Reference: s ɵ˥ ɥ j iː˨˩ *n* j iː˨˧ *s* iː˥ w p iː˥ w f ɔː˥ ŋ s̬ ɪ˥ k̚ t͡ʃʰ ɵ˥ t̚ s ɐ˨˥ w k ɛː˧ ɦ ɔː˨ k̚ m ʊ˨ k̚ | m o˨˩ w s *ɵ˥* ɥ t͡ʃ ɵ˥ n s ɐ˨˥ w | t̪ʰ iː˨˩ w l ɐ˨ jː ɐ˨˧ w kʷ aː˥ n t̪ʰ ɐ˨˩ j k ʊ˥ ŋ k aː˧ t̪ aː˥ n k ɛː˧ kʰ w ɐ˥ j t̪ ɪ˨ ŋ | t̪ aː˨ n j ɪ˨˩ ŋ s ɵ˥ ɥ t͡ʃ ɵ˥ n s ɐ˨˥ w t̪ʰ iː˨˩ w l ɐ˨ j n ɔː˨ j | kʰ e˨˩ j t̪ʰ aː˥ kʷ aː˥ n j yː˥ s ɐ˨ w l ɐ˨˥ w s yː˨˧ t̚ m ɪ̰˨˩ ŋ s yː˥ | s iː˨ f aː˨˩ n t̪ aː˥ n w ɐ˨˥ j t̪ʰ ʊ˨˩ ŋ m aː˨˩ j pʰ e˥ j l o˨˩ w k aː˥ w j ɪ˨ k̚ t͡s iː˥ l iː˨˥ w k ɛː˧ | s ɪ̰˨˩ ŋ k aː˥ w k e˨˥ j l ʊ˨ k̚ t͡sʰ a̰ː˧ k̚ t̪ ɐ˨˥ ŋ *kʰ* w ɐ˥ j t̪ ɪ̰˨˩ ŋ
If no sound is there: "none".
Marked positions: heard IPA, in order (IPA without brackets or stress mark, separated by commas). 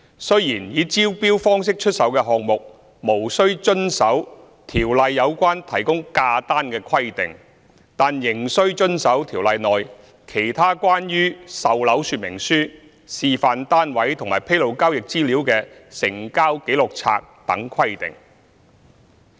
n, t͡s, ɵ˥, kʰ